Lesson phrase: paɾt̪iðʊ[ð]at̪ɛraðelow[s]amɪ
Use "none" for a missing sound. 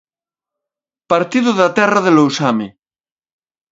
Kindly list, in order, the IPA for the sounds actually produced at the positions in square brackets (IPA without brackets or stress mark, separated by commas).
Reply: ð, s